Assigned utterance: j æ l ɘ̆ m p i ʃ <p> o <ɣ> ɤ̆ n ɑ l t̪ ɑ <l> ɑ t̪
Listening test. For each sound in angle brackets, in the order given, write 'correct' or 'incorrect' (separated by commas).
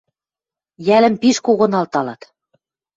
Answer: incorrect, correct, correct